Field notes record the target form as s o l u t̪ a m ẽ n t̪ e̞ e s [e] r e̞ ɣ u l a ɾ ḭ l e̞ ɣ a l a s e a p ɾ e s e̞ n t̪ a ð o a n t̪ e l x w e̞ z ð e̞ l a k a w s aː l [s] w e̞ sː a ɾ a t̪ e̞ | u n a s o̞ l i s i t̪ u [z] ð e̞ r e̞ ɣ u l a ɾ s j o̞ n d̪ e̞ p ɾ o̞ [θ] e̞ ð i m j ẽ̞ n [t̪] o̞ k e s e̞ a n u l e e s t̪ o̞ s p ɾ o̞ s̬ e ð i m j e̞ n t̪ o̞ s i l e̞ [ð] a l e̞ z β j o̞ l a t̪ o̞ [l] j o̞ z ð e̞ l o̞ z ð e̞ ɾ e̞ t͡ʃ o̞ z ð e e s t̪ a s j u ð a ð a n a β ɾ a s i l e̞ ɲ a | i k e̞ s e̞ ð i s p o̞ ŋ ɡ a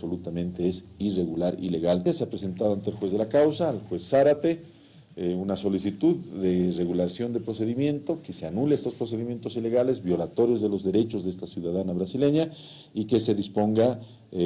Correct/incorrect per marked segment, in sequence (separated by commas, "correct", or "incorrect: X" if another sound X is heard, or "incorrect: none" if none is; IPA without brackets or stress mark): incorrect: i, incorrect: x, incorrect: ð, incorrect: s, correct, incorrect: ɣ, incorrect: ɾ